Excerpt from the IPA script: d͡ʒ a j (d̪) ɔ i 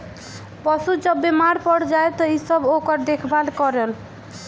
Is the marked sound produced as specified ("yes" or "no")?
no